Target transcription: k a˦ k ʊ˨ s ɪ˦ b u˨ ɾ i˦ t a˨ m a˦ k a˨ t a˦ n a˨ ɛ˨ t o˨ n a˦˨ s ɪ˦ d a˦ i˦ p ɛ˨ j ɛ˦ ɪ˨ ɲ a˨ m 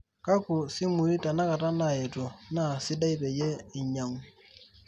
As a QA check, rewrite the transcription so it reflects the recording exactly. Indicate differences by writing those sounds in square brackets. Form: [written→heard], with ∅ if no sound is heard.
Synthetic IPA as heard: k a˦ k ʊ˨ s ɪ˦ [b→m] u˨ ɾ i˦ t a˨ [m→n] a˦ k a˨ t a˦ n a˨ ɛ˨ t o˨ n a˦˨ s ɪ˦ d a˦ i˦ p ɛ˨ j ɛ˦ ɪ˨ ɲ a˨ [m→ŋ]